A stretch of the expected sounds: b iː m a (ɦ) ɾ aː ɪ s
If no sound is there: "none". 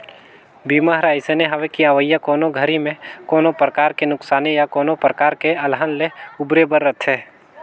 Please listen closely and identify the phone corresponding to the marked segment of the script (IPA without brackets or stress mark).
ɦ